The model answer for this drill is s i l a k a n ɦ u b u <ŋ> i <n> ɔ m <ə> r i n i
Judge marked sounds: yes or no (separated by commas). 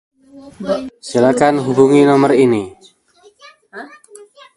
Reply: yes, yes, yes